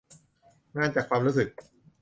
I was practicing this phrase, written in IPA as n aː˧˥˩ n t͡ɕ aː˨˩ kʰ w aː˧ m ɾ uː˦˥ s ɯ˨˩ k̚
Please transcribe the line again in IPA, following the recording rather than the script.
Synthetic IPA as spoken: ŋ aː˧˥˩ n t͡ɕ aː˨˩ kʰ w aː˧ m ɾ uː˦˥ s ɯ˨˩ k̚